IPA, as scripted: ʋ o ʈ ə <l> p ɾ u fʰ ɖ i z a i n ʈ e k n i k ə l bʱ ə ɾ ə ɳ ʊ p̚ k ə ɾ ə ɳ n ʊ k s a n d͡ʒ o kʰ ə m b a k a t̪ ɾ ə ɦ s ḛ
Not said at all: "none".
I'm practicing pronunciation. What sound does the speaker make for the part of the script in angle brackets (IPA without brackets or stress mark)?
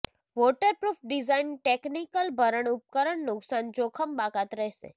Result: ɾ